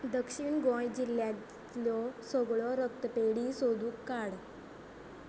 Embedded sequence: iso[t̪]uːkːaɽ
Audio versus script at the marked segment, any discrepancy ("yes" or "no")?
yes